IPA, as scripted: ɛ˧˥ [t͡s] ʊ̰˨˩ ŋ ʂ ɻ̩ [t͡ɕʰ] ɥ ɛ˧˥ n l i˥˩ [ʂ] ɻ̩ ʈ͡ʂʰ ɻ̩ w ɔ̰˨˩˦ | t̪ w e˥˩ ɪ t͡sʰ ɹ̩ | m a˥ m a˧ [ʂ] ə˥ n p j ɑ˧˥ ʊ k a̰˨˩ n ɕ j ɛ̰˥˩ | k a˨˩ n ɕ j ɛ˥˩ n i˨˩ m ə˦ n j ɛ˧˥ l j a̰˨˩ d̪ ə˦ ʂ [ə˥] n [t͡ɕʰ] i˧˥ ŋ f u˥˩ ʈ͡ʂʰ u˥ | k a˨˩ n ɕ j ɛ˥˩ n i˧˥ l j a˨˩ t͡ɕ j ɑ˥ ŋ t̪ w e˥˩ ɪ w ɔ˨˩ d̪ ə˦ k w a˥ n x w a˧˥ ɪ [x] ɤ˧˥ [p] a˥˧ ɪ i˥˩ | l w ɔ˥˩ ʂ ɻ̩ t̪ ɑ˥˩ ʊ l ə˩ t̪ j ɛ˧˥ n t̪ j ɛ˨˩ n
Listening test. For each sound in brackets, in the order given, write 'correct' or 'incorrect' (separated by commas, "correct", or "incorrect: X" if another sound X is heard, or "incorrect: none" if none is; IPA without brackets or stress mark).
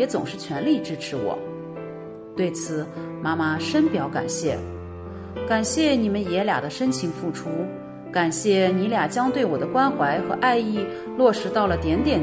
correct, correct, incorrect: ʈ͡ʂ, correct, correct, correct, correct, incorrect: ʔ